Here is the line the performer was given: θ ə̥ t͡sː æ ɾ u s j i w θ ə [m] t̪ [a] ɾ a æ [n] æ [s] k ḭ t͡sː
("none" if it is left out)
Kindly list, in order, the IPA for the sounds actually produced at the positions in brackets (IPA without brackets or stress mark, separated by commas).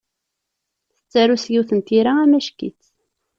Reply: n, i, m, ʃ